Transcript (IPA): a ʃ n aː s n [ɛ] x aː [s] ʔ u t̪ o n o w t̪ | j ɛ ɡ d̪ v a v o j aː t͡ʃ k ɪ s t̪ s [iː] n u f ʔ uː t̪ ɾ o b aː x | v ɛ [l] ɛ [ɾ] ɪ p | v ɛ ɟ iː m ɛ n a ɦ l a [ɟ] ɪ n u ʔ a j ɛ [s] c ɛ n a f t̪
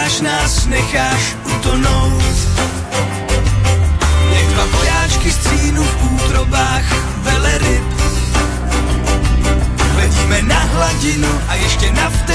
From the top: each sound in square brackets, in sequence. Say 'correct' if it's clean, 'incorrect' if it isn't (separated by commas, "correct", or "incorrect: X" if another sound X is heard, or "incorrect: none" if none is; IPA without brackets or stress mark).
correct, incorrect: ʃ, correct, correct, correct, correct, incorrect: ʃ